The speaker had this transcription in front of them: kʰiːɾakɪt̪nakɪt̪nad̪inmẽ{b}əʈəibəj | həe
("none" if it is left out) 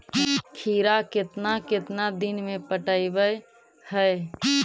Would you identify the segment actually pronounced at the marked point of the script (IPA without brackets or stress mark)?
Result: p